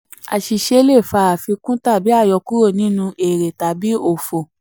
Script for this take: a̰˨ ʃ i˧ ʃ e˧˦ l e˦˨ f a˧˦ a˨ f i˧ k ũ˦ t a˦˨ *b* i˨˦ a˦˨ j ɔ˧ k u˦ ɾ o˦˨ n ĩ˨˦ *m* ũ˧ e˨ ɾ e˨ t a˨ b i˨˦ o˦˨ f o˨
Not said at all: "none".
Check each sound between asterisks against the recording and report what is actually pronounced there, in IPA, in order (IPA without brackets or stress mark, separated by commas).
b, n